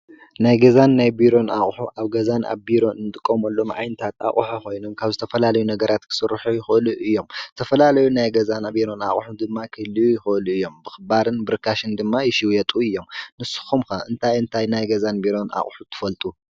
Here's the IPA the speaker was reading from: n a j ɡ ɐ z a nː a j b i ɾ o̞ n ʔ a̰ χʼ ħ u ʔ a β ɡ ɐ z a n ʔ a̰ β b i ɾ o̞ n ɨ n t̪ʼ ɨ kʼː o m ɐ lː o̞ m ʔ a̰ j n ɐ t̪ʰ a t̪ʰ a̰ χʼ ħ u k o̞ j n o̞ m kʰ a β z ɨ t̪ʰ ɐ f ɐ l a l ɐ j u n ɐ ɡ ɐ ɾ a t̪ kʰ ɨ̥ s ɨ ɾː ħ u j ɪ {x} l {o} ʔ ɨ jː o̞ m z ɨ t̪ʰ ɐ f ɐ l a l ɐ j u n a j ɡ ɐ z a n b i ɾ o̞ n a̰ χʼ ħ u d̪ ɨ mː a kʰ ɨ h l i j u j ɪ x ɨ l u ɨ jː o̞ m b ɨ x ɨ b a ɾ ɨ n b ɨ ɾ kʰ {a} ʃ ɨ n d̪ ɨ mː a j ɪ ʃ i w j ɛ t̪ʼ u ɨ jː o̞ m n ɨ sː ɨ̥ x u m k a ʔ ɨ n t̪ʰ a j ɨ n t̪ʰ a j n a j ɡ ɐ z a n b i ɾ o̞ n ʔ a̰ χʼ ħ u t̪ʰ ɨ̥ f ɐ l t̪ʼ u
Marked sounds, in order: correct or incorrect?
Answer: correct, incorrect, correct

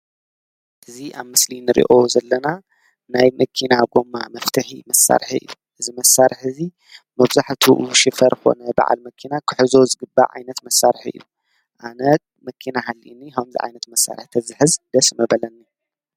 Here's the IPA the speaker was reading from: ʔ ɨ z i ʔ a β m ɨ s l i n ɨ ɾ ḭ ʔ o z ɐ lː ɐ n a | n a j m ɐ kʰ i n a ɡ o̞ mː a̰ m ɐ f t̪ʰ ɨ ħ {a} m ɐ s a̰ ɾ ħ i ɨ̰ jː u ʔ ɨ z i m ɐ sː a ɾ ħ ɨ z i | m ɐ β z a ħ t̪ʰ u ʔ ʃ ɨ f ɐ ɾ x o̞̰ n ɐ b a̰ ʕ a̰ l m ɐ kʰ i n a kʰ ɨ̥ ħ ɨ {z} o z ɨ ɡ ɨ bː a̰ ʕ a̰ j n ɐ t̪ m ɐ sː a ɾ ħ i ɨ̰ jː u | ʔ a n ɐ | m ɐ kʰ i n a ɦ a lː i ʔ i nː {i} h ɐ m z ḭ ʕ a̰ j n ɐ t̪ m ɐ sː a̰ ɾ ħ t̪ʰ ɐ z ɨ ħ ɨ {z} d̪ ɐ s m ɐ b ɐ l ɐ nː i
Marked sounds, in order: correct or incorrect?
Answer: incorrect, correct, correct, correct

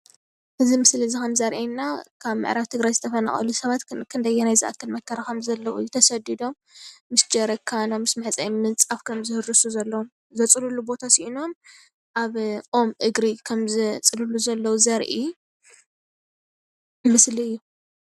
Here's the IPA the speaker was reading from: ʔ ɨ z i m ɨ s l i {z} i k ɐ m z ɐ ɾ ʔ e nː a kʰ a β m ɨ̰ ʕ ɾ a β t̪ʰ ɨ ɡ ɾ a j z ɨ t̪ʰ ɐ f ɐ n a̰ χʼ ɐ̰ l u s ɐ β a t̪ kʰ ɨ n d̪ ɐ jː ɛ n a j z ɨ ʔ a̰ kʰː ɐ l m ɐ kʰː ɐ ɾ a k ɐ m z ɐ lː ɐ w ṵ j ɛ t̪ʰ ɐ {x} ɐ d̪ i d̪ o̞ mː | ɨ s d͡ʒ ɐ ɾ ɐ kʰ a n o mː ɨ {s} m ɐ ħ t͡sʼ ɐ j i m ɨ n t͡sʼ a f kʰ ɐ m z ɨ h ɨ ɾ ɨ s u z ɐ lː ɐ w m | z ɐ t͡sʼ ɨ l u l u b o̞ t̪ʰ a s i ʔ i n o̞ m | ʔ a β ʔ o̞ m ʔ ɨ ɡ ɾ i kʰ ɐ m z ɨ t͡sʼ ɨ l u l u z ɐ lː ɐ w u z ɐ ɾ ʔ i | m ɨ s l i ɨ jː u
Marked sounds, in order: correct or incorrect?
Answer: correct, incorrect, correct

